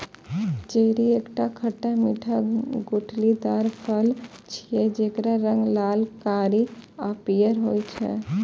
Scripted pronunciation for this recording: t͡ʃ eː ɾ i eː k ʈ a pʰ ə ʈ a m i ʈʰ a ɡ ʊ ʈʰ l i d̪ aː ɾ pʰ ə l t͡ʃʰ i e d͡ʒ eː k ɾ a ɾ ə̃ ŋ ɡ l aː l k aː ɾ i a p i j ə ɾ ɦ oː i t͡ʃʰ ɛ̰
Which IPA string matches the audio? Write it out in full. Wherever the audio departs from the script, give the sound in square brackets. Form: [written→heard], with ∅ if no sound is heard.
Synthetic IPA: t͡ʃ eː ɾ i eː k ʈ a [pʰ→kʰ] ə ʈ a m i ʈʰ a ɡ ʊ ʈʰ l i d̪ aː ɾ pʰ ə l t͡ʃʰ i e d͡ʒ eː k ɾ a ɾ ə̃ ŋ ɡ l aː l k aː ɾ i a p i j ə ɾ ɦ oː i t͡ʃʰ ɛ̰